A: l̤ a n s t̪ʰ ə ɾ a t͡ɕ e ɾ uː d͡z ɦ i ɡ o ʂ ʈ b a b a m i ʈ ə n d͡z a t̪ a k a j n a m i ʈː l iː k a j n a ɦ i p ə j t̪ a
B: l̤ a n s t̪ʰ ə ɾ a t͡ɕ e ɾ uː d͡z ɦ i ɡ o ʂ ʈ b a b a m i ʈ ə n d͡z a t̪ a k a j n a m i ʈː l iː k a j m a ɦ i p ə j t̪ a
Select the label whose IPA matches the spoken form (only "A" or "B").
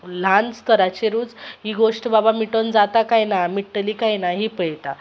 A